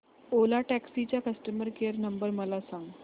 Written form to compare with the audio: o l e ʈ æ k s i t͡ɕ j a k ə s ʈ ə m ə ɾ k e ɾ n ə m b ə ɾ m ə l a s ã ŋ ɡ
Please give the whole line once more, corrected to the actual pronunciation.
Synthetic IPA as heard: o l a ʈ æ k s i t͡ɕ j a k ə s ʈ ə m ə ɾ k e ɾ n ə m b ə ɾ m ə l a s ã ŋ ɡ